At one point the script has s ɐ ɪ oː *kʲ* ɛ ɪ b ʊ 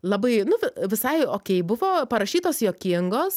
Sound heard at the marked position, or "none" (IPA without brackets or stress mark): kʲ